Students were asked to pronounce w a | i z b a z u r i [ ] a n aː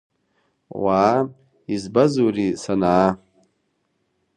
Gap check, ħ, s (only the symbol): s